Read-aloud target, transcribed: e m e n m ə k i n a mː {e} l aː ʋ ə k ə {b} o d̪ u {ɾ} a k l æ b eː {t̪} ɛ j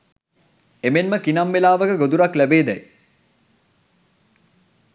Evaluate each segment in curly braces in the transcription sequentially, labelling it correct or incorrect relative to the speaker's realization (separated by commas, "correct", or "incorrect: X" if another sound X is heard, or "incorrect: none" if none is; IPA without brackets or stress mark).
correct, incorrect: ɡ, correct, incorrect: d̪